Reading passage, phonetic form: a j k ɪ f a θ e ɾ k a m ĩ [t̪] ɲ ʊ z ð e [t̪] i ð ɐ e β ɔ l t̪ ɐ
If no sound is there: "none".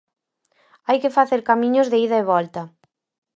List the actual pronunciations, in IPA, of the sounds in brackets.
none, none

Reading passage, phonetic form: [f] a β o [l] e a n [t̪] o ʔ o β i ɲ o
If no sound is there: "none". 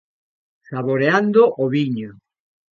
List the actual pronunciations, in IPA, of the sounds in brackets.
s, ɾ, d̪

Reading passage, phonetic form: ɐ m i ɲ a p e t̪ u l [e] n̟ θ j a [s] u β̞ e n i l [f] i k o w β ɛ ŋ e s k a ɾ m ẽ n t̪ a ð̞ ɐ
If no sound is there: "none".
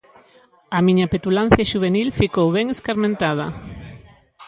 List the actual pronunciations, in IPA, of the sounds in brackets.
a, ʃ, f

